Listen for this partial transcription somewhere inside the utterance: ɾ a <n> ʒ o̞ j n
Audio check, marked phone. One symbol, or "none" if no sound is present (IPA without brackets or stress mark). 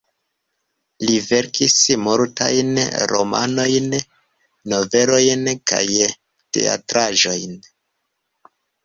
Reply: none